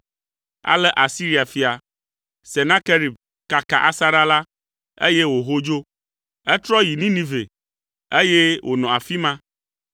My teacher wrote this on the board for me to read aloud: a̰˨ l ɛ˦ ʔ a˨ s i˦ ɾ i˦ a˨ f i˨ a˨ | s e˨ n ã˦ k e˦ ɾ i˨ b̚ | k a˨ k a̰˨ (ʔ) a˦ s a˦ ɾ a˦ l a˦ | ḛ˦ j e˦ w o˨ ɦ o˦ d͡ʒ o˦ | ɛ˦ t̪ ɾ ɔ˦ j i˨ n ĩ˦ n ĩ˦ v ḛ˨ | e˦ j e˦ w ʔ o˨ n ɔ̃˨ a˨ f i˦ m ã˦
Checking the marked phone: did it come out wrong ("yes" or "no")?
no